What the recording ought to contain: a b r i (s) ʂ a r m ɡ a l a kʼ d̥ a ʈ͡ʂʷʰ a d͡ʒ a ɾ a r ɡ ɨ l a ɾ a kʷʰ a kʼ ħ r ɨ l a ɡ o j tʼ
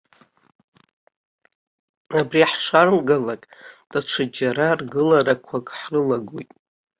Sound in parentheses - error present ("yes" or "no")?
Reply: yes